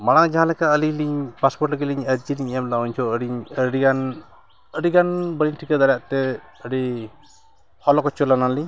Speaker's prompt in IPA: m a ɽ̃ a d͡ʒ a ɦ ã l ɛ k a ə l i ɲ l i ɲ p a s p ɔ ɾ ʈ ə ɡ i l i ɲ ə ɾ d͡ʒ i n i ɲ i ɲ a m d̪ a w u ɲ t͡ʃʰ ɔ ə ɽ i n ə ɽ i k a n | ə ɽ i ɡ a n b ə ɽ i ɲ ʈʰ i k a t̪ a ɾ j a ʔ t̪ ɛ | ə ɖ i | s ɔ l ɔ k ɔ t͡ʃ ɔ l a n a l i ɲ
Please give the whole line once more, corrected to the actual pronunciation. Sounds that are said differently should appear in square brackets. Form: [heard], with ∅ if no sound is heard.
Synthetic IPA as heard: m a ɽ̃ a d͡ʒ a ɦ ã l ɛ k a ə l i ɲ l i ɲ p a s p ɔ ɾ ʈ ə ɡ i l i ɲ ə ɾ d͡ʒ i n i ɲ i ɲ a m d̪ a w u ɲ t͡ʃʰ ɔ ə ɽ i [ɲ] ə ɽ i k a n | ə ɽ i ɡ a n b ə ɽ i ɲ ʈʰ i k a [d̪] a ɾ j a ʔ t̪ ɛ | ə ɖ i | [h] ɔ l ɔ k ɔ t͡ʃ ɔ l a n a l i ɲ